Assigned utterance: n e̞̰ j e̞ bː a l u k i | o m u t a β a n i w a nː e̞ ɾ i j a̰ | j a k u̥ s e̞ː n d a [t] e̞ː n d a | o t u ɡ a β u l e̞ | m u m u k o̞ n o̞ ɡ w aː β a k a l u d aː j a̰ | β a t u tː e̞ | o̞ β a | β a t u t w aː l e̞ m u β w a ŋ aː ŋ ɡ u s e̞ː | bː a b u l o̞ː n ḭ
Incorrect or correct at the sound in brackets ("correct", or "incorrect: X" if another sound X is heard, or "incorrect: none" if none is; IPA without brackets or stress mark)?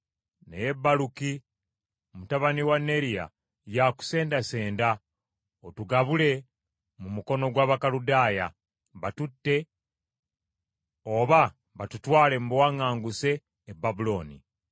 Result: incorrect: s